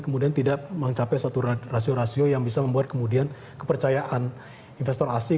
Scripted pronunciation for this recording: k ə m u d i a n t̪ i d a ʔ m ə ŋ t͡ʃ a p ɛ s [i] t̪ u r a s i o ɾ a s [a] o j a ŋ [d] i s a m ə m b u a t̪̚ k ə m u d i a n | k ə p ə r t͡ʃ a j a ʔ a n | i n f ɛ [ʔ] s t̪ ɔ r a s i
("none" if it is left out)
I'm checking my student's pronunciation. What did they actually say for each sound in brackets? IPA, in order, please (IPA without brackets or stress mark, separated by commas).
a, i, b, none